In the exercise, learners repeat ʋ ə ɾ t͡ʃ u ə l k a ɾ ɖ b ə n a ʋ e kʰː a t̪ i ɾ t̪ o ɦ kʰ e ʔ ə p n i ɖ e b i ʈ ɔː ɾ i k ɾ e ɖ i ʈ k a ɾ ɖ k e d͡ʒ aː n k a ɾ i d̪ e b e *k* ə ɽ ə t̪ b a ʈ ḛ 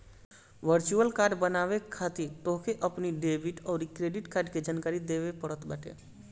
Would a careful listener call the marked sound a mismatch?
yes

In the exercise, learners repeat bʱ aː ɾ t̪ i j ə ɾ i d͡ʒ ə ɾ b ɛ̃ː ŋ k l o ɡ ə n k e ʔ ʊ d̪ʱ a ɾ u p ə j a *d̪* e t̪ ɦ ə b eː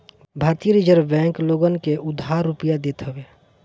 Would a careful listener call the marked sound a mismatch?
no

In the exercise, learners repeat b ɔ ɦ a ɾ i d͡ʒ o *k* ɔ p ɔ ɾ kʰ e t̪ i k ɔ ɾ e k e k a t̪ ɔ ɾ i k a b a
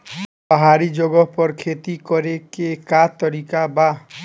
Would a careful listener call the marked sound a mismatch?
yes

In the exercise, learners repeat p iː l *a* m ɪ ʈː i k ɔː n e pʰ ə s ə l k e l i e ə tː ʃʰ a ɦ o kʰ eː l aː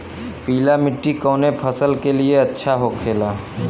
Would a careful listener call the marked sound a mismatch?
no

